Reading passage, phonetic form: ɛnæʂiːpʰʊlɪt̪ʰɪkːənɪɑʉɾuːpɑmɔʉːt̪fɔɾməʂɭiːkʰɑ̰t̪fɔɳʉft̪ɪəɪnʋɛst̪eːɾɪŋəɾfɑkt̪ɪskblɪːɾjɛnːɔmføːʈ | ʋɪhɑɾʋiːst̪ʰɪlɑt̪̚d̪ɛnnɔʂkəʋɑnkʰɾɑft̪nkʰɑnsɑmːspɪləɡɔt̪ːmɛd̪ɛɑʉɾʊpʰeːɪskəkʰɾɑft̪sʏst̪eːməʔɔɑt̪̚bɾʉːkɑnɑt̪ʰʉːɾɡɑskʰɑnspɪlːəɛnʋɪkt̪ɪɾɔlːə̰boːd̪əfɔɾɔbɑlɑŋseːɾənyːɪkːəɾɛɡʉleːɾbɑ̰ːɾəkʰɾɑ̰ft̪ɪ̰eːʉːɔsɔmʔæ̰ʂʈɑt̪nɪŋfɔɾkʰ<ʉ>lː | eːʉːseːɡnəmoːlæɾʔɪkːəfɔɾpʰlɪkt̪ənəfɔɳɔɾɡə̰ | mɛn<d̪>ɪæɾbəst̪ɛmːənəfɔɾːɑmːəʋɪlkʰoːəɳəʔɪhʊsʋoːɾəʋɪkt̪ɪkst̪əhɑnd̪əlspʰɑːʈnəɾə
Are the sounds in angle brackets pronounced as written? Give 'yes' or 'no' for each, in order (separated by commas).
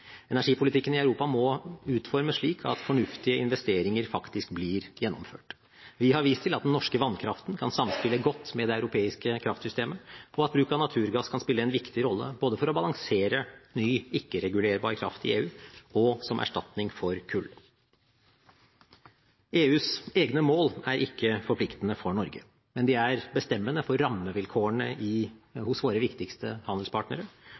yes, yes